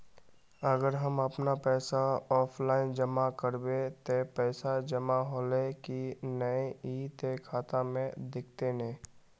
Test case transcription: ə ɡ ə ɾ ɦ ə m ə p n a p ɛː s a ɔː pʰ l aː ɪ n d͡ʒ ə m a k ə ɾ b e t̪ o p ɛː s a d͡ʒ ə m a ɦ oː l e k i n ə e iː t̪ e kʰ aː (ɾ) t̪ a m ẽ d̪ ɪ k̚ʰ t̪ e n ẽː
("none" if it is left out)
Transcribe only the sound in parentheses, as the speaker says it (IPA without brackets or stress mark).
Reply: none